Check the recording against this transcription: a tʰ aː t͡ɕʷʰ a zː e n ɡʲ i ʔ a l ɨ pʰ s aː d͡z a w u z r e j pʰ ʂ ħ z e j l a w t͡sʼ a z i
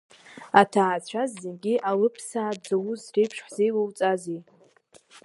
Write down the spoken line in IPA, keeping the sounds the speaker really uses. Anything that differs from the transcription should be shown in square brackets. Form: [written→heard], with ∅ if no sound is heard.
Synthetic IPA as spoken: a tʰ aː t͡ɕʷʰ a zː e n ɡʲ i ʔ a l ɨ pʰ s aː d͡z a w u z r e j pʰ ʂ ħ z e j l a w t͡sʼ a z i